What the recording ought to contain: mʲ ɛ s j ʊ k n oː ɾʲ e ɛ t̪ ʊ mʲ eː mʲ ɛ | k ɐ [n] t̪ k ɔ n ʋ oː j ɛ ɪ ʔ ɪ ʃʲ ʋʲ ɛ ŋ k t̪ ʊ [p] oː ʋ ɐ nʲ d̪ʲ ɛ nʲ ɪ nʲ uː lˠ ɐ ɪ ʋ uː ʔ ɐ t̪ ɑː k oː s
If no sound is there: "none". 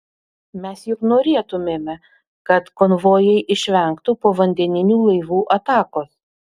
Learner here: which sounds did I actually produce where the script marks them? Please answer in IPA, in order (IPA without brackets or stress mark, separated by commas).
none, p